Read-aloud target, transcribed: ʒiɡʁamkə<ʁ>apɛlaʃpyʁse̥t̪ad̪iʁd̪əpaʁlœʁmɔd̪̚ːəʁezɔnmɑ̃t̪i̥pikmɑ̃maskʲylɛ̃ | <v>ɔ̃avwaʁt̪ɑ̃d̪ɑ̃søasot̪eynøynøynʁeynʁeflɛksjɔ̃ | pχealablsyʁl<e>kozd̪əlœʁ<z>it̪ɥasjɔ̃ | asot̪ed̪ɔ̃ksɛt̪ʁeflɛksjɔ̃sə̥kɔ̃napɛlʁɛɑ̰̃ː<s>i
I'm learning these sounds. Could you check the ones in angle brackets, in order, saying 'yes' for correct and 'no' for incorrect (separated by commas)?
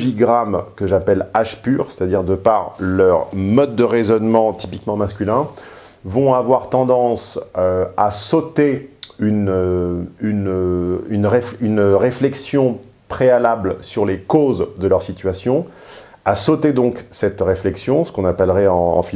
no, yes, yes, no, no